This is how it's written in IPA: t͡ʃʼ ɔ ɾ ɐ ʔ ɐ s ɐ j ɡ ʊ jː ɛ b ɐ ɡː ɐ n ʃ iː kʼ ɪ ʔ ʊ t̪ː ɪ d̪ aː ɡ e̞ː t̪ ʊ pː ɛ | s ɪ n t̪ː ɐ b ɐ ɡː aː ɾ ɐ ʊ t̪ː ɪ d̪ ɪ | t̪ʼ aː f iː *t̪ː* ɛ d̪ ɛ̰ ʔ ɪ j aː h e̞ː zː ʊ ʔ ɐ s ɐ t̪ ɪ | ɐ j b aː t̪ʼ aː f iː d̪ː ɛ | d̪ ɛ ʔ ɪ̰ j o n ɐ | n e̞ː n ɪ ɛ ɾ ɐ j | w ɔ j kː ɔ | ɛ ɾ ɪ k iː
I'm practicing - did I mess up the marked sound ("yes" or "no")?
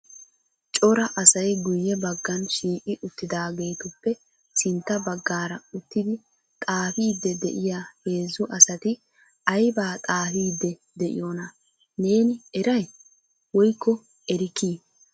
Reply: yes